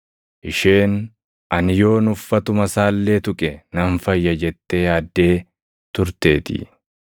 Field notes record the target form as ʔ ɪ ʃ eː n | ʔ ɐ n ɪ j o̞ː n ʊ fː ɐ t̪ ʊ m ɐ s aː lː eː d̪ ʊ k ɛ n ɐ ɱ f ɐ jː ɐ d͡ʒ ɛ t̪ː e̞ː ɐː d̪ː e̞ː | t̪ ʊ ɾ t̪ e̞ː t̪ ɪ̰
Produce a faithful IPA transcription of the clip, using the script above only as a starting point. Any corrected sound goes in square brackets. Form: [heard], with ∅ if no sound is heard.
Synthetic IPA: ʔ ɪ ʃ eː n | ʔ ɐ n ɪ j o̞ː n ʊ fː ɐ t̪ ʊ m ɐ s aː lː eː [t̪] ʊ [kʼ] ɛ n ɐ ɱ f ɐ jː ɐ d͡ʒ ɛ t̪ː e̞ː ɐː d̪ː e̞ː | t̪ ʊ ɾ t̪ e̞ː t̪ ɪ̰